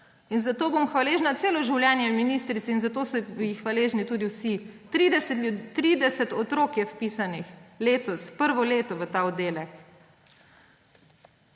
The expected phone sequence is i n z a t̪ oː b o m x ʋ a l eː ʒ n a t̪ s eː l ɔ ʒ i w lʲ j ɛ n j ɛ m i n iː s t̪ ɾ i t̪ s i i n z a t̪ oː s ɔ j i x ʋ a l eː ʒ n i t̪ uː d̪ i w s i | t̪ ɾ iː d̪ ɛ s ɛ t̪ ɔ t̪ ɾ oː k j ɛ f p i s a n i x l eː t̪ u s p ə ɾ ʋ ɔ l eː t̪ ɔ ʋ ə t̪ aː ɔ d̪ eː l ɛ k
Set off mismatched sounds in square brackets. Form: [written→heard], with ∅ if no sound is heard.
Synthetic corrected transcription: i n z a t̪ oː b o m x ʋ a l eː ʒ n a t̪ s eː l ɔ ʒ i w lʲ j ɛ n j ɛ m i n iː s t̪ ɾ i t̪ s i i n z a t̪ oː s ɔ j i x ʋ a l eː ʒ n i t̪ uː d̪ i w s i | t̪ ɾ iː d̪ ɛ s ɛ t̪ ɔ t̪ ɾ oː k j ɛ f p i s a n i x l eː t̪ [u→ɔ] s p ə ɾ ʋ ɔ l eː t̪ ɔ ʋ ə t̪ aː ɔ d̪ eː l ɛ k